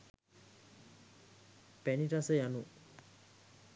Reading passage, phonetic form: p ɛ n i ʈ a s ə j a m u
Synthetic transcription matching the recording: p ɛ n i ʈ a s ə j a n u